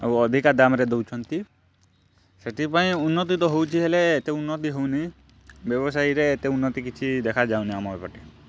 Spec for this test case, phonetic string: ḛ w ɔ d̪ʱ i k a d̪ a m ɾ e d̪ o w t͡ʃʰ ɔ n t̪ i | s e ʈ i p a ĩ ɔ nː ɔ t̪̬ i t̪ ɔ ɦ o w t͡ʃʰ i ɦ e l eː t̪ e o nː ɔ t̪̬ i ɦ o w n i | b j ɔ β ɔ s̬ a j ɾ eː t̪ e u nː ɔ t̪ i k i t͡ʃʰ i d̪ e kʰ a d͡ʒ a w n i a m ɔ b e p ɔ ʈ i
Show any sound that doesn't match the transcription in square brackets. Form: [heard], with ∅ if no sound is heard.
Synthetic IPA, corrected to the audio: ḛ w ɔ d̪ʱ i k a d̪ a m ɾ e d̪ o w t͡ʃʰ ɔ n t̪ i | s e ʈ i p a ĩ [u] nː ɔ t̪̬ i t̪ ɔ ɦ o w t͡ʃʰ i ɦ e l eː t̪ e [u] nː ɔ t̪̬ i ɦ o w n i | b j ɔ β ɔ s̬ a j ɾ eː t̪ e u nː ɔ t̪ i k i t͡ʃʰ i d̪ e kʰ a d͡ʒ a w n i a m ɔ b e p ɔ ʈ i